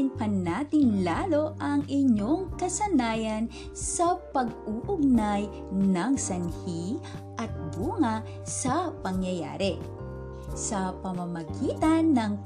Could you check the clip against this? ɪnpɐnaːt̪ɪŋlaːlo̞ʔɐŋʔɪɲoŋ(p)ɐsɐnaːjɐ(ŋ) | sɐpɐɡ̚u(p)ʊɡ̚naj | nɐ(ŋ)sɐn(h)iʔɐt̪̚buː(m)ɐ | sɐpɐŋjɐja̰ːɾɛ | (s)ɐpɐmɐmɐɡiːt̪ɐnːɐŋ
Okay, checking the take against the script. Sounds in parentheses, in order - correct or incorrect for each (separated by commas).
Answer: incorrect, incorrect, incorrect, correct, correct, incorrect, correct